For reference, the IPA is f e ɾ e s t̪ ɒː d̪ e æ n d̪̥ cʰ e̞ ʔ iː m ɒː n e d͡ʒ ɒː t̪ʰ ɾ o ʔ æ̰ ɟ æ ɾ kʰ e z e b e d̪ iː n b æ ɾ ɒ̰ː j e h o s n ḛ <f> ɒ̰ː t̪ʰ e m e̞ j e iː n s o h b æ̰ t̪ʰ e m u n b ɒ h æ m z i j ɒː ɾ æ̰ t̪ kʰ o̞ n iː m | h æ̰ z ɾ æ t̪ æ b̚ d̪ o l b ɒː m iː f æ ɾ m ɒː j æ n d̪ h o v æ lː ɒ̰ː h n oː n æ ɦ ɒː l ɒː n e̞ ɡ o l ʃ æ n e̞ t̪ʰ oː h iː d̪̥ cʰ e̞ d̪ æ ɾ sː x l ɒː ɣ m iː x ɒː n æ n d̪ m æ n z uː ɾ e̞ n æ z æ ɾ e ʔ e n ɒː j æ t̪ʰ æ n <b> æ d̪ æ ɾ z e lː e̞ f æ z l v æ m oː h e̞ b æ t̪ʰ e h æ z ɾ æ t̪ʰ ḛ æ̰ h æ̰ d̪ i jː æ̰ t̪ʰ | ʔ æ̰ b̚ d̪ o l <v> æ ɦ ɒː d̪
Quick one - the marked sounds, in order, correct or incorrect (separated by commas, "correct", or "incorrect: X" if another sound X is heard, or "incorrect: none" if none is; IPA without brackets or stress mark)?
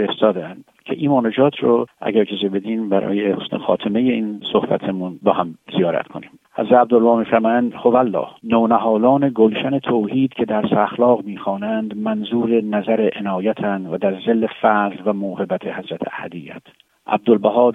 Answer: incorrect: x, incorrect: v, incorrect: b